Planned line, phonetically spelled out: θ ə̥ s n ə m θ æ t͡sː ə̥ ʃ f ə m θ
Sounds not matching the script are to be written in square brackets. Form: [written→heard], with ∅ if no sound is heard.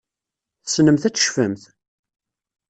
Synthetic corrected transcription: θ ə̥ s n ə m θ æ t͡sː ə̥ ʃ f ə m θ